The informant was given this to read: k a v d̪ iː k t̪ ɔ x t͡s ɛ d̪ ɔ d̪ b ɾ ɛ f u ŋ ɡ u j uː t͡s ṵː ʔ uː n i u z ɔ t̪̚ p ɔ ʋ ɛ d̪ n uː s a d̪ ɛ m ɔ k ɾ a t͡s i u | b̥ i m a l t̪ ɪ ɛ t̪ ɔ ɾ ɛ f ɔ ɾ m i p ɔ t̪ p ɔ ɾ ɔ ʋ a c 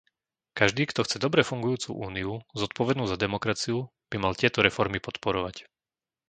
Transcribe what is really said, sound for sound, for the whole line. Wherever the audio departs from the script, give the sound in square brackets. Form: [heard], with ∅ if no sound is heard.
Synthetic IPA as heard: k a [ʒ] d̪ iː k t̪ ɔ x t͡s ɛ d̪ ɔ [∅] b ɾ ɛ f u ŋ ɡ u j uː t͡s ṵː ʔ uː n i u z ɔ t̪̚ p ɔ ʋ ɛ d̪ n uː [z] a d̪ ɛ m ɔ k ɾ a t͡s i u | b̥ i m a l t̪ ɪ ɛ t̪ ɔ ɾ ɛ f ɔ ɾ m i p ɔ t̪ p ɔ ɾ ɔ ʋ a c